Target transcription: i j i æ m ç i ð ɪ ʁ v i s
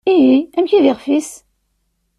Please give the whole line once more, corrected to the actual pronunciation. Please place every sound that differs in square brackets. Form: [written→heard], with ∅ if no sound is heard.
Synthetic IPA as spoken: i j i æ m ç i ð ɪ ʁ [v→f] i s